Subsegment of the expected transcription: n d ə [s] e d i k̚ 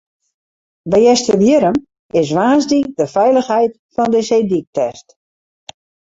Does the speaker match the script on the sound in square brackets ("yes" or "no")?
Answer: yes